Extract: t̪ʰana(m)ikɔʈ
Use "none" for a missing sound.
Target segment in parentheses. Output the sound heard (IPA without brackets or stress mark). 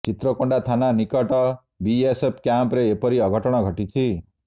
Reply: n